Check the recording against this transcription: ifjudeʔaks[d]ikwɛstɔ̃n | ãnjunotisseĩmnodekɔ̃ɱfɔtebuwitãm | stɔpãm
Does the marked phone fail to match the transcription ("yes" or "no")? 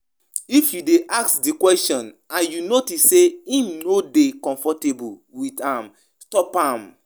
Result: no